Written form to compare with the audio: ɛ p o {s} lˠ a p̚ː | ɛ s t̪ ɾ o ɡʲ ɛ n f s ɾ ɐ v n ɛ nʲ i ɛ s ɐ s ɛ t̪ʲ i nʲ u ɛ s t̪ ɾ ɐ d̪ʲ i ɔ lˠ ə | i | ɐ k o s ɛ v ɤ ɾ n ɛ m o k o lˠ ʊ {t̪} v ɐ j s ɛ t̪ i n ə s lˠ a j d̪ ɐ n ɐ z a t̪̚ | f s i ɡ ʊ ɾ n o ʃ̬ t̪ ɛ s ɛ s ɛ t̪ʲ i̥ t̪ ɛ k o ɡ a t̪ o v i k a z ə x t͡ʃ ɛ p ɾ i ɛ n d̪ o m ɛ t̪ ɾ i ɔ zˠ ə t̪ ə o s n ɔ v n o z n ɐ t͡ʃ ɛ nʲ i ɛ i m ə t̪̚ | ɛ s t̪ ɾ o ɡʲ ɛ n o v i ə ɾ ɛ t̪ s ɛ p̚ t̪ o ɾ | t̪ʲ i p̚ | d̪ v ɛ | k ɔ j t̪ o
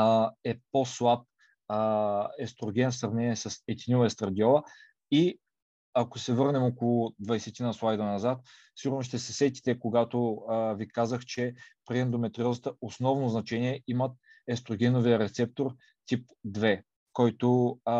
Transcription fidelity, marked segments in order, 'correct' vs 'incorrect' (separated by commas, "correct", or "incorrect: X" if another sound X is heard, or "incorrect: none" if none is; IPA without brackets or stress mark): correct, incorrect: d̪